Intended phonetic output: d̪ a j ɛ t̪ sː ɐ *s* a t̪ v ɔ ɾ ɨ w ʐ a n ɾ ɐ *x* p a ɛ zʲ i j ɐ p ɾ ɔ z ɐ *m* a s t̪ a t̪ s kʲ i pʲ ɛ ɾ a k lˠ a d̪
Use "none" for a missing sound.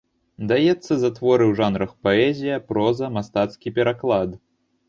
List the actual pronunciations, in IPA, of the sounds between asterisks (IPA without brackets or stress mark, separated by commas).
z, x, m